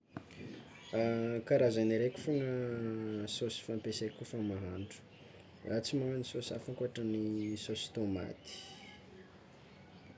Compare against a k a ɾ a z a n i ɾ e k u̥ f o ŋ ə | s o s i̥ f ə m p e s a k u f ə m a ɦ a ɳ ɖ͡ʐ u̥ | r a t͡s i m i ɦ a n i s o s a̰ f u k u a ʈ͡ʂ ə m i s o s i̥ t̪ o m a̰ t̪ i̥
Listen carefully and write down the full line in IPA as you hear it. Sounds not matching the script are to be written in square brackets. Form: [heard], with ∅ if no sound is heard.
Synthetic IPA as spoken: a k a ɾ a z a n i ɾ e k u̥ f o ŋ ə | s o s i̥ f [a] m p e s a k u f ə m a ɦ a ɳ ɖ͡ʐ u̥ | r a t͡s i m [a] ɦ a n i s o s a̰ f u k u a ʈ͡ʂ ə [n] i s o s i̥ t̪ o m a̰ t̪ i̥